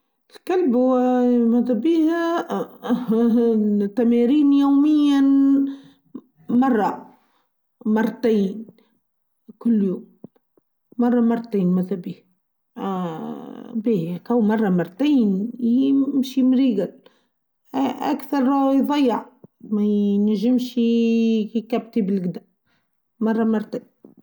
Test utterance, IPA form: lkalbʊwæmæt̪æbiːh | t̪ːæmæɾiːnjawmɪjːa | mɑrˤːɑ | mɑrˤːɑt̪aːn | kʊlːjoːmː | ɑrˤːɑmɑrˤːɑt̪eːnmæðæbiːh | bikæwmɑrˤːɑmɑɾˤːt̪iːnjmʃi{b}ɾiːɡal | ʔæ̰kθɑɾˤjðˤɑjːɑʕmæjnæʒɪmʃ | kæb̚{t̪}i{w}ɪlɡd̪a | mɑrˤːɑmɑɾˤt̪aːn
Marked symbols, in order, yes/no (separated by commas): no, yes, no